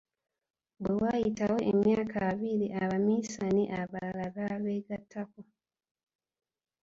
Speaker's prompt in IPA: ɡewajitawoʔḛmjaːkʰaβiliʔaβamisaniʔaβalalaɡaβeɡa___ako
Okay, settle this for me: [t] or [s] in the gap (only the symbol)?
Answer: t